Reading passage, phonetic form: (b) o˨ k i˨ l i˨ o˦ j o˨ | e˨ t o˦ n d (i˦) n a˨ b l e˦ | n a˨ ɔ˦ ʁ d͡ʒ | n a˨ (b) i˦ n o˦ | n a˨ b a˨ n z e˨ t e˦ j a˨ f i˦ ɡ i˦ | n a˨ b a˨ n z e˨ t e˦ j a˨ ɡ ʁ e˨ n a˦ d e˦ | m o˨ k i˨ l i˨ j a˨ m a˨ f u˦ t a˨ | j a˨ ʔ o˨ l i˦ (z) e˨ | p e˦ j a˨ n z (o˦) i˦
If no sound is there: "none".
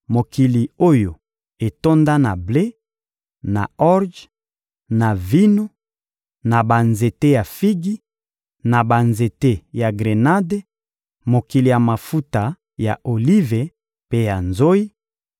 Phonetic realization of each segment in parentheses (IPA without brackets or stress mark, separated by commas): m, a˦, v, v, o˦